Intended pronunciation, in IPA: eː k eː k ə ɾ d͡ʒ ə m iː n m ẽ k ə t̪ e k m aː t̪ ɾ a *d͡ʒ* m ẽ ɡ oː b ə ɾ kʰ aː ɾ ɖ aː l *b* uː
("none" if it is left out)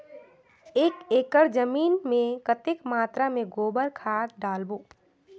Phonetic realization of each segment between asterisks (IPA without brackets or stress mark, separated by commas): none, b